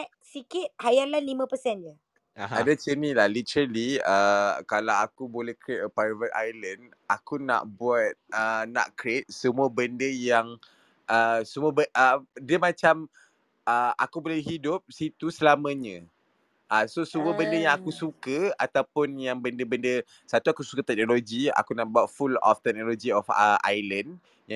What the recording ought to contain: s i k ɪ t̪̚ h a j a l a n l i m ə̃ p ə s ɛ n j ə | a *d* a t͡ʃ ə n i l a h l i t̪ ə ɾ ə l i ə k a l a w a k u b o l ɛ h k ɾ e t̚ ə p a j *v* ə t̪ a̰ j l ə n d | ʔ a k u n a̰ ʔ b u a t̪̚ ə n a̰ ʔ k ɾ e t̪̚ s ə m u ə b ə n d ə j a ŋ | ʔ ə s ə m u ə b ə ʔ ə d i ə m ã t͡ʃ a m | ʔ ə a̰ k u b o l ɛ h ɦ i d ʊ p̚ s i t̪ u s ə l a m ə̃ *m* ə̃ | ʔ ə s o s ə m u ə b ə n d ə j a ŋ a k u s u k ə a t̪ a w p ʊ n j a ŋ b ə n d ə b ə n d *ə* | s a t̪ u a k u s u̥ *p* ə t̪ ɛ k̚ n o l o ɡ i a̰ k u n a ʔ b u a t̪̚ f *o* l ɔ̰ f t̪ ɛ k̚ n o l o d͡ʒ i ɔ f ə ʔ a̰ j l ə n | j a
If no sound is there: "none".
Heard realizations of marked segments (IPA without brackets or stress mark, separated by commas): d, v, ɲ, ə, k, u